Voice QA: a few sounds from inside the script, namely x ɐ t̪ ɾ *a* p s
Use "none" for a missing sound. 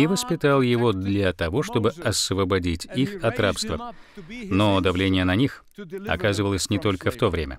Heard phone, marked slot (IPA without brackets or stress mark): a